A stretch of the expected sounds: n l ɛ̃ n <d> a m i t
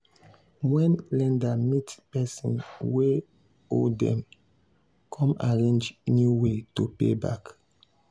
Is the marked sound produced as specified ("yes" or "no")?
yes